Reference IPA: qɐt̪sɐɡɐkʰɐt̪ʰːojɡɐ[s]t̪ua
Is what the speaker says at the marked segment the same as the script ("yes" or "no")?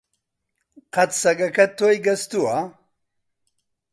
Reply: yes